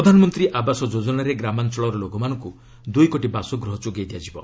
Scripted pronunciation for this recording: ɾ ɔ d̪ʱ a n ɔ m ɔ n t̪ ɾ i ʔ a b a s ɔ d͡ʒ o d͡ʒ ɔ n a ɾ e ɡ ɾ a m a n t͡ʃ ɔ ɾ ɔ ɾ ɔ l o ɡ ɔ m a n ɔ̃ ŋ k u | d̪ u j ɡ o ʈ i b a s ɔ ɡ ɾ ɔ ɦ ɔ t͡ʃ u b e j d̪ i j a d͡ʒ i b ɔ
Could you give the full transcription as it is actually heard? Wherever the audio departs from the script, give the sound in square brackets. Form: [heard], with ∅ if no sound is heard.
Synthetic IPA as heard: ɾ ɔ d̪ʱ a n ɔ m ɔ n t̪ ɾ i ʔ a b a s ɔ d͡ʒ o d͡ʒ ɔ n a ɾ e ɡ ɾ a m a n t͡ʃ ɔ [ɭ] ɔ ɾ ɔ l o ɡ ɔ m a n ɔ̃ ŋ k u | d̪ u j [k] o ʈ i b a s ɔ ɡ ɾ ɔ ɦ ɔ t͡ʃ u [ɡ] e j d̪ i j a d͡ʒ i b ɔ

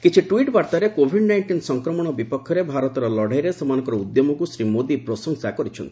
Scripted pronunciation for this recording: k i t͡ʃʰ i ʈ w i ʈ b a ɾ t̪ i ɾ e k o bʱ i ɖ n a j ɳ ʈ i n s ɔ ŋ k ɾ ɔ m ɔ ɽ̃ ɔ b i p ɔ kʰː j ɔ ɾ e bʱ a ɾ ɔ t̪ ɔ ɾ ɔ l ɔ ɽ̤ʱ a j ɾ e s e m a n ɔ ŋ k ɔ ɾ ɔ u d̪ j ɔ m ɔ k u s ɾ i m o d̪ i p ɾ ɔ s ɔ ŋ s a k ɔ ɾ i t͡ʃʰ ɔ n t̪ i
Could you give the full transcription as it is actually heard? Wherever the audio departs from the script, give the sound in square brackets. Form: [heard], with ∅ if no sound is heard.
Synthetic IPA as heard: k i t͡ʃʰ i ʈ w i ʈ b a ɾ t̪ [a] ɾ e k o bʱ i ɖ n a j ɳ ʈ i n s ɔ ŋ k ɾ ɔ m ɔ ɽ̃ ɔ b i p ɔ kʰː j ɔ ɾ e bʱ a ɾ ɔ t̪ ɔ ɾ ɔ l ɔ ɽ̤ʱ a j ɾ e s e m a n ɔ ŋ k ɔ ɾ ɔ u d̪ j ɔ m ɔ k u s ɾ i m o d̪ i p ɾ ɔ s ɔ ŋ s a k ɔ ɾ i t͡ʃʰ ɔ n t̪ i

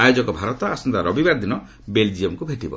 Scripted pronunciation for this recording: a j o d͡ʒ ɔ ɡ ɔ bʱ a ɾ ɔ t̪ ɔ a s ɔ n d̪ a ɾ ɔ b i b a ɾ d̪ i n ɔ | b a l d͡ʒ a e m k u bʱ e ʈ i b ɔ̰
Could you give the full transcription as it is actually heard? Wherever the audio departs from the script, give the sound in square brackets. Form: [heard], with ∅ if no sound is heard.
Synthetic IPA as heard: a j o d͡ʒ ɔ [k] ɔ bʱ a ɾ ɔ t̪ ɔ a s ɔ n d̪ a ɾ ɔ b i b a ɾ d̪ i n ɔ | b [e] l d͡ʒ [i] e m k u bʱ e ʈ i b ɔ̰

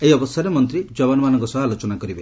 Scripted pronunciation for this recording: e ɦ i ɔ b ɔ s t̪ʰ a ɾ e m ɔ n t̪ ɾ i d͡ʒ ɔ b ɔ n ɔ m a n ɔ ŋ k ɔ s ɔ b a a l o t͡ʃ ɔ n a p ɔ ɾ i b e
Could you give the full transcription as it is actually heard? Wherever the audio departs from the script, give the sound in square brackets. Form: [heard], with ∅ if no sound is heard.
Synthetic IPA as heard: e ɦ i ɔ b ɔ s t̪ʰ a ɾ e m ɔ n t̪ ɾ i d͡ʒ ɔ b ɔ n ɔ m a n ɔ ŋ k ɔ s ɔ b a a l o t͡ʃ ɔ n a [k] ɔ ɾ i b e

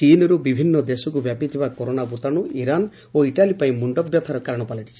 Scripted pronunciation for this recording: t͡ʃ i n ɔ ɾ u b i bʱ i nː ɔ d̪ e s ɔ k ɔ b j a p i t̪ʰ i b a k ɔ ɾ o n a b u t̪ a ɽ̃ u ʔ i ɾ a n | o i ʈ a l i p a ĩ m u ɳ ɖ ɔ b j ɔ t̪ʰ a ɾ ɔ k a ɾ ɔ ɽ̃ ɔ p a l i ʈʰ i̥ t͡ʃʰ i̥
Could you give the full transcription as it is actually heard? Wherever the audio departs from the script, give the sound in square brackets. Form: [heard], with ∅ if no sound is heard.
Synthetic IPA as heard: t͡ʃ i n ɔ ɾ u b i bʱ i nː ɔ d̪ e s ɔ k [u] b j a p i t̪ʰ i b a k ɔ ɾ o n a b u t̪ a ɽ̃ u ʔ i ɾ a n | o i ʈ a l i p a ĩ m u ɳ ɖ ɔ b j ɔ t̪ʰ a ɾ ɔ k a ɾ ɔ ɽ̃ ɔ p a l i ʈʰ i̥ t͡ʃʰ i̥

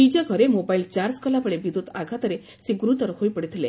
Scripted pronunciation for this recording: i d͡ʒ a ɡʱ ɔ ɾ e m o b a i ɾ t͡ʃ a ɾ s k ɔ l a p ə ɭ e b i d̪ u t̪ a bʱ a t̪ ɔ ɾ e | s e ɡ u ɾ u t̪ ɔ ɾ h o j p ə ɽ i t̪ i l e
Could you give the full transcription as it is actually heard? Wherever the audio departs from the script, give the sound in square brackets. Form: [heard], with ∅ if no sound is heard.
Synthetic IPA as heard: i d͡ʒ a ɡʱ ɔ ɾ e m o b a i [l] t͡ʃ a ɾ s k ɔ l a p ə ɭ e b i d̪ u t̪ a [ɡʱ] a t̪ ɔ ɾ e | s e ɡ u ɾ u t̪ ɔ ɾ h o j p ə ɽ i [t̪ʰ] i l e

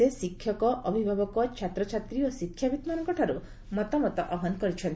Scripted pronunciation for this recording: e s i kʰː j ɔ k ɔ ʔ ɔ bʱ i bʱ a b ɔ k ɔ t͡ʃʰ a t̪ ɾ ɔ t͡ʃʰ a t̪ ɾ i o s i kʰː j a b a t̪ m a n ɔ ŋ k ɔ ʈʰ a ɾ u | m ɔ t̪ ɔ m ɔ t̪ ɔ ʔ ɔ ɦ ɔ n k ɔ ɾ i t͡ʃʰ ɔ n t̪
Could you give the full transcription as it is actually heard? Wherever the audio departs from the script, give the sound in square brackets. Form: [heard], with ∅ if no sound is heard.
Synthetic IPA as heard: e s i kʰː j ɔ k ɔ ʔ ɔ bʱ i bʱ a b ɔ k ɔ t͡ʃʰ a t̪ ɾ ɔ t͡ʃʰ a t̪ ɾ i o s i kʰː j a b [i] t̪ m a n ɔ ŋ k ɔ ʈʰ a ɾ u | m ɔ t̪ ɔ m ɔ t̪ ɔ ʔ ɔ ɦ ɔ n k ɔ ɾ i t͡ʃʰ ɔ n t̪

